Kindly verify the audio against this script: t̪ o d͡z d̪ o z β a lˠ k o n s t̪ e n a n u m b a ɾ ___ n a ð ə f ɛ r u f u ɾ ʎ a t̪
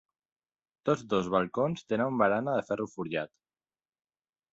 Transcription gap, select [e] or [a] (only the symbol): a